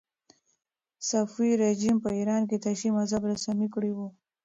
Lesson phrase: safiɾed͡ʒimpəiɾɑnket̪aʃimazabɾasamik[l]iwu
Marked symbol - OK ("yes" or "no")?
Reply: no